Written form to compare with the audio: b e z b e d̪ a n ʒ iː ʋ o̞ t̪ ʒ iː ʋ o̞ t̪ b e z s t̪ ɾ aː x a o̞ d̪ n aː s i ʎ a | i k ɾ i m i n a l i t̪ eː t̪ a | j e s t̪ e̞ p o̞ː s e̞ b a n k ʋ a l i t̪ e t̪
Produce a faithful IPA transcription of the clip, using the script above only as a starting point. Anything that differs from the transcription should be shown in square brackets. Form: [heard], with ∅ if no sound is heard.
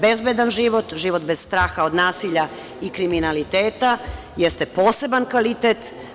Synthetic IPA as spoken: b e z b e d̪ a n ʒ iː ʋ o̞ t̪ ʒ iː ʋ o̞ t̪ b e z s t̪ ɾ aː x a o̞ d̪ n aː s i ʎ a | i k ɾ i m i n a l i t̪ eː t̪ a | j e s t̪ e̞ p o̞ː s e̞ b a n k ʋ a l i t̪ e t̪